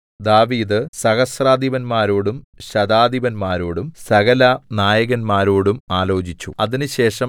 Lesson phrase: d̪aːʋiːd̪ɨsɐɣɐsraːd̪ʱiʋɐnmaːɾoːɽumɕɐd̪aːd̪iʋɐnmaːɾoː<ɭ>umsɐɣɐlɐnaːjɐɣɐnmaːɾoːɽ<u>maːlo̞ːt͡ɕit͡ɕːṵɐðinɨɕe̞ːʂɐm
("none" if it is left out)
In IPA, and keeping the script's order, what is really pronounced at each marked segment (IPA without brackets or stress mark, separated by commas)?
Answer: ɽ, u